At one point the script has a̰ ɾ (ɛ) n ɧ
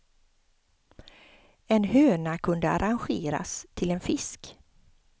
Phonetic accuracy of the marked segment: incorrect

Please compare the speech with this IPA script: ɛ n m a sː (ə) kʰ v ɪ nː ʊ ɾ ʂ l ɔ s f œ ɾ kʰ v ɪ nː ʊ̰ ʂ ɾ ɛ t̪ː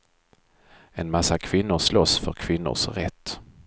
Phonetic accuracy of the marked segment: incorrect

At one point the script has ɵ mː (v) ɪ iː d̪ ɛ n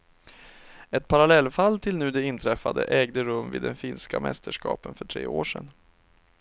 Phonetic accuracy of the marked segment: correct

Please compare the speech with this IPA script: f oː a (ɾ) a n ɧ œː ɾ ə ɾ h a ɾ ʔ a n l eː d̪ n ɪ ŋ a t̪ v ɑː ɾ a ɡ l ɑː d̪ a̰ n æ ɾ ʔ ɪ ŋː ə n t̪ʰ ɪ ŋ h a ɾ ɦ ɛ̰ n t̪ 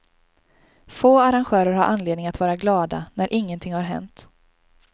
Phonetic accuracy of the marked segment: correct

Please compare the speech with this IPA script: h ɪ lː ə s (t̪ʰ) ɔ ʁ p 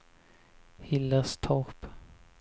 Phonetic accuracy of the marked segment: correct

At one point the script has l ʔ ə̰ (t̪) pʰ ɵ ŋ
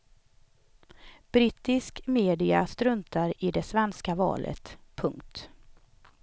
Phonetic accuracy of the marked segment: correct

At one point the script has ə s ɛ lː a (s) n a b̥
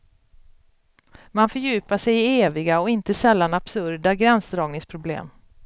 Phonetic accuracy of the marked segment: incorrect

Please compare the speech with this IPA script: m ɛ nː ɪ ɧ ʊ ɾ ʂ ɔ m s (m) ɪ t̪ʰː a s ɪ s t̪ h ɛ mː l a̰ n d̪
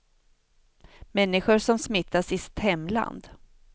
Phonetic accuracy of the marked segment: correct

